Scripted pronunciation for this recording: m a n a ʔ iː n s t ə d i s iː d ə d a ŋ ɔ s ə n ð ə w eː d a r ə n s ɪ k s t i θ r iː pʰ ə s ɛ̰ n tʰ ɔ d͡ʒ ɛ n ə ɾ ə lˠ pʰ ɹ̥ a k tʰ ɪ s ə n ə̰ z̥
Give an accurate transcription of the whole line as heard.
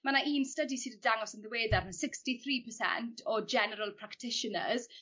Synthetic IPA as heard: m a n a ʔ iː n s t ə d i s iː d ə d a ŋ ɔ s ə n ð ə w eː d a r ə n s ɪ k s t i θ r iː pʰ ə s ɛ̰ n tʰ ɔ d͡ʒ ɛ n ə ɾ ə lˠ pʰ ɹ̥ a k tʰ ɪ ʃ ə n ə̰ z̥